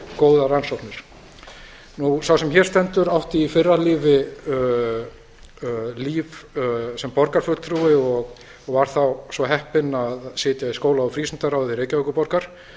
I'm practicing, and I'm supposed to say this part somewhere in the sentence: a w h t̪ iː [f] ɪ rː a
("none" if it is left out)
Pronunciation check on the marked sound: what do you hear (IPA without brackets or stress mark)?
f